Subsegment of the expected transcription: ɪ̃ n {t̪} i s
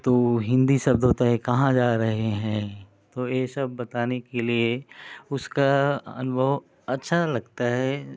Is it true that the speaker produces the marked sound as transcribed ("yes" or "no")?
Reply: no